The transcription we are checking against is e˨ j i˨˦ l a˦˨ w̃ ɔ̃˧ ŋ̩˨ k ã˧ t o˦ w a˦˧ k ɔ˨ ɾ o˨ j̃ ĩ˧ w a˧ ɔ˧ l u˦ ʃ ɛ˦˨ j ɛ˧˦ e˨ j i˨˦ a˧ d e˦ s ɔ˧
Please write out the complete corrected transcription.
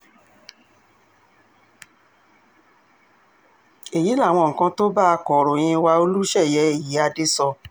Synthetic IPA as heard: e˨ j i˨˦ l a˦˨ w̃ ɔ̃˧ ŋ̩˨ k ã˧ t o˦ b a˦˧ k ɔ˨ ɾ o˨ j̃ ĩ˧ w a˧ o˧ l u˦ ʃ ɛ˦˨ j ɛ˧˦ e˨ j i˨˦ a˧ d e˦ s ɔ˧